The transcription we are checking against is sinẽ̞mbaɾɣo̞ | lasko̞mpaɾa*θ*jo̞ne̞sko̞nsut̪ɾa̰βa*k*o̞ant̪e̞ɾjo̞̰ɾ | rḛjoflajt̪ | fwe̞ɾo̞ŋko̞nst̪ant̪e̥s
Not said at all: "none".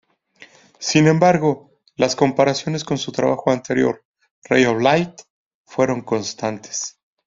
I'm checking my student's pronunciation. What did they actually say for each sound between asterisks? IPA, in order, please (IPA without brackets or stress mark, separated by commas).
s, x